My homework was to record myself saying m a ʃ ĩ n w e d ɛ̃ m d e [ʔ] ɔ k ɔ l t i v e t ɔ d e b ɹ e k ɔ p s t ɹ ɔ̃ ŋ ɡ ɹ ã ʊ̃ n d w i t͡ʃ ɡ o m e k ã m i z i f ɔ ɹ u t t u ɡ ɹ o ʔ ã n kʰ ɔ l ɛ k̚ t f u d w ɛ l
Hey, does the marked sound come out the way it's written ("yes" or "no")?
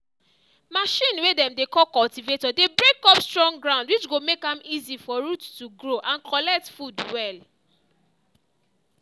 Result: no